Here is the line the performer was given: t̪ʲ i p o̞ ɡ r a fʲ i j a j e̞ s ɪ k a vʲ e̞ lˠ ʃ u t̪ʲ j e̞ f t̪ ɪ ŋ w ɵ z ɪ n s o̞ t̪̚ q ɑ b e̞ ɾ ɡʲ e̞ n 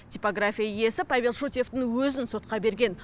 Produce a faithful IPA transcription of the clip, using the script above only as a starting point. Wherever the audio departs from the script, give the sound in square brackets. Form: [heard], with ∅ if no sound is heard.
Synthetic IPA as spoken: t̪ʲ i p o̞ ɡ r a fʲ i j a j e̞ s ɪ [p] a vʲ e̞ lˠ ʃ u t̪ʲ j e̞ f t̪ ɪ ŋ w ɵ z ɪ n s o̞ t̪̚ q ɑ b e̞ ɾ ɡʲ e̞ n